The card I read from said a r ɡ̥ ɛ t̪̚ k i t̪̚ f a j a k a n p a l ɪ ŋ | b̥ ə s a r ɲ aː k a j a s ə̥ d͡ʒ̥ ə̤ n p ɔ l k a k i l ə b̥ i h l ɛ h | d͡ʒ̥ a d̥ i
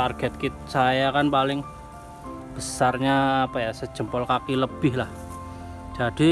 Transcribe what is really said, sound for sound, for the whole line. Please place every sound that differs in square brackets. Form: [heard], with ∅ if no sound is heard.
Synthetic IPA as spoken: a r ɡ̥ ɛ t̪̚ k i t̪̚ [s] a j a k a n p a l ɪ ŋ | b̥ ə s a r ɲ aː [p] a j a s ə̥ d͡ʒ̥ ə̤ [m] p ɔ l k a k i l ə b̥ [ɪ] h l [a] h | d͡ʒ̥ a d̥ i